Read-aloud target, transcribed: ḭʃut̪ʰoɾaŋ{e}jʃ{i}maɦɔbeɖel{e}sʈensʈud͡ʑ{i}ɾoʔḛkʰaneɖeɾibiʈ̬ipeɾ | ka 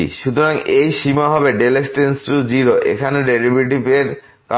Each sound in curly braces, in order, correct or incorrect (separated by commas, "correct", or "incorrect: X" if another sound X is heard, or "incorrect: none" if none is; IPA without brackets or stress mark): correct, correct, correct, correct